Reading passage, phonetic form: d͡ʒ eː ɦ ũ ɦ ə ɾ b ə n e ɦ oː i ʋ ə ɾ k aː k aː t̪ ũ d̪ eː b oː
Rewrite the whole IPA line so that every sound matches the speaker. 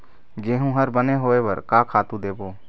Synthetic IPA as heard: d͡ʒ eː ɦ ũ ɦ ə ɾ b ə n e ɦ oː e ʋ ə ɾ k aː kʰ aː t̪ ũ d̪ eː b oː